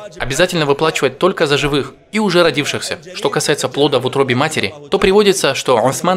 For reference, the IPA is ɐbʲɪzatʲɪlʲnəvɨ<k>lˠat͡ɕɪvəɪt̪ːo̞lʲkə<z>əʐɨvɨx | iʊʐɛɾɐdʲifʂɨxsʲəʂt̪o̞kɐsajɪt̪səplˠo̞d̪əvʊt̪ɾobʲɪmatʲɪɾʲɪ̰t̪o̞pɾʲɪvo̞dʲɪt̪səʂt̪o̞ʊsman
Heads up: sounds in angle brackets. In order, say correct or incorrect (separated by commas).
incorrect, correct